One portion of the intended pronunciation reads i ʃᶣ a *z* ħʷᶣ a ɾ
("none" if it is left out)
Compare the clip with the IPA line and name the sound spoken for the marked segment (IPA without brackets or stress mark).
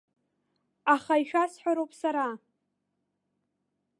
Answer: s